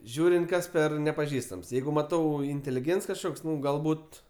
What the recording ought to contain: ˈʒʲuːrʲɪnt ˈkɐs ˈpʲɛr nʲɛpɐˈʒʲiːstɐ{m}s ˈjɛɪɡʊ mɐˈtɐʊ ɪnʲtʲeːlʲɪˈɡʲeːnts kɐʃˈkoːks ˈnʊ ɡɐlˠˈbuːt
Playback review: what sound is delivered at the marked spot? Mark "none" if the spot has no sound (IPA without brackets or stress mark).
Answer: m